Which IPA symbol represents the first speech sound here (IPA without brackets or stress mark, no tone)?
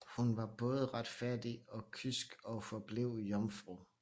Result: h